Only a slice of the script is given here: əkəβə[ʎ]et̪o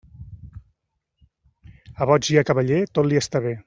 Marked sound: correct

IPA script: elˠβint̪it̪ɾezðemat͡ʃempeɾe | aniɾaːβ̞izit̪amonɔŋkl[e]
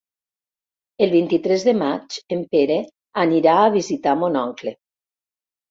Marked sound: correct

